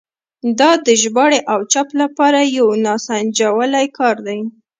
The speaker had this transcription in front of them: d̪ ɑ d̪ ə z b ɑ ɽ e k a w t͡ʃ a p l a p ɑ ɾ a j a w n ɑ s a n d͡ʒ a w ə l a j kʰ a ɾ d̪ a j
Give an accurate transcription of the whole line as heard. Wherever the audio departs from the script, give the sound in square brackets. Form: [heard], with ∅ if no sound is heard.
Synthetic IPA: d̪ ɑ d̪ ə [ʒ] b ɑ ɽ e [ʔ] a w t͡ʃ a p l a p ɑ ɾ a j a w n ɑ s a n d͡ʒ a w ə l a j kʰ [ɑ] ɾ d̪ a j